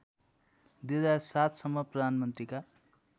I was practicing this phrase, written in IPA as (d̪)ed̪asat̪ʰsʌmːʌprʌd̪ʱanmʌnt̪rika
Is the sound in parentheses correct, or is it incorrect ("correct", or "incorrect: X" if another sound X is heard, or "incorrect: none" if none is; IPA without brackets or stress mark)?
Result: correct